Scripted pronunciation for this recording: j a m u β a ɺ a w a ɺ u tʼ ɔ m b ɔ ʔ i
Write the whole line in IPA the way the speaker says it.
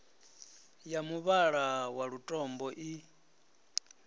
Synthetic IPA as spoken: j a m u β a ɺ a w a ɺ u tʼ ɔ m b ɔ ʔ i